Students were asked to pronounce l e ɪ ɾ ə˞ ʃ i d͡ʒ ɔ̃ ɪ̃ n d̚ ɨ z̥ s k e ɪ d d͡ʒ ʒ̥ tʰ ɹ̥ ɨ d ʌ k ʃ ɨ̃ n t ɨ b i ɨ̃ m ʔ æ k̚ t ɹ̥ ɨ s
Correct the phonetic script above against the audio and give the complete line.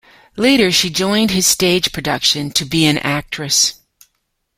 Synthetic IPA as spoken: l e ɪ ɾ ə˞ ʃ i d͡ʒ ɔ̃ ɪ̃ n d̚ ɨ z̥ s t e ɪ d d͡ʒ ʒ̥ pʰ ɹ̥ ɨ d ʌ k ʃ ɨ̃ n tʰ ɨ b i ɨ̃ n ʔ æ k̚ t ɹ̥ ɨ s

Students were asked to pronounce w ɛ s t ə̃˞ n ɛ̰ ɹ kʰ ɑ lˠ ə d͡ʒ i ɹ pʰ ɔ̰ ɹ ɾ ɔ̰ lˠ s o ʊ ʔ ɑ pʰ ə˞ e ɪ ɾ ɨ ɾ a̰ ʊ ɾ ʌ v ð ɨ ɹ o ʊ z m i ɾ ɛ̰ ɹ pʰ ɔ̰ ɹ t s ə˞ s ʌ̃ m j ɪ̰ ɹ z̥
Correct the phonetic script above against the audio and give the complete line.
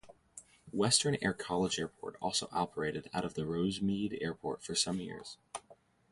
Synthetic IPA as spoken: w ɛ s t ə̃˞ n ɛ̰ ɹ kʰ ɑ lˠ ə d͡ʒ ɛ ɹ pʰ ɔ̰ ɹ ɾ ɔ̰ lˠ s o ʊ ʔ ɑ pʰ ə˞ e ɪ ɾ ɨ ɾ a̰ ʊ ɾ ʌ v ð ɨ ɹ o ʊ z m i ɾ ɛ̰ ɹ pʰ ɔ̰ ɹ t f ə˞ s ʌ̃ m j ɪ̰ ɹ z̥

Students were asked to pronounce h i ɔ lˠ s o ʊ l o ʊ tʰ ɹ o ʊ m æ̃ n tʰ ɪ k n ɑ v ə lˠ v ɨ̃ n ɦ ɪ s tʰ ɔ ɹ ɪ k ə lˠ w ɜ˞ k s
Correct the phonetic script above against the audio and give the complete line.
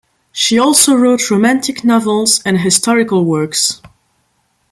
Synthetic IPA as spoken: ʃ i ɔ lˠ s o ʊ ɹ o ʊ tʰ ɹ o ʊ m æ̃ n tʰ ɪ k n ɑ v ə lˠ z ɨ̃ n ɦ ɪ s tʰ ɔ ɹ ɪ k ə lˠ w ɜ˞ k s

